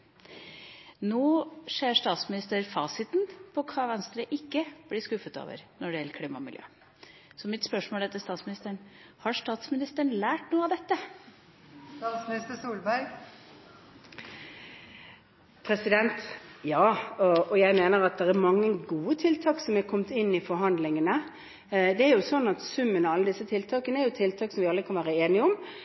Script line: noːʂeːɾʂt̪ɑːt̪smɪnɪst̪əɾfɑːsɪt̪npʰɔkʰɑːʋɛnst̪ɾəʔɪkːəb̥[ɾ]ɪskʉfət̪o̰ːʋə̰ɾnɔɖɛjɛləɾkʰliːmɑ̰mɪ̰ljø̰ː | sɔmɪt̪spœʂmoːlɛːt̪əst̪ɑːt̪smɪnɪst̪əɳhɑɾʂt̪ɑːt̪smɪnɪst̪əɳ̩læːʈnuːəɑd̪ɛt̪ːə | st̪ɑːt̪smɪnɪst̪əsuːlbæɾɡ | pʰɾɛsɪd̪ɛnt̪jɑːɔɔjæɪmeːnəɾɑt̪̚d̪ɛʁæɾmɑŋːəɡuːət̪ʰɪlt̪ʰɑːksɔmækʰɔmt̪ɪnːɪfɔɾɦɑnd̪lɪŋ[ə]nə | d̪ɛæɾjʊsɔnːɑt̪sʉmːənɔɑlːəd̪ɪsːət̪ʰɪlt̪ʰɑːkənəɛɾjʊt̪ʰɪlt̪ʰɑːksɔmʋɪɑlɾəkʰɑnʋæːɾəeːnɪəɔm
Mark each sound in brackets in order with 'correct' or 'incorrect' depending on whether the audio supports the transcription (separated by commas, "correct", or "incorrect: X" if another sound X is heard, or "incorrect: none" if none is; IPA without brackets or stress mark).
incorrect: l, correct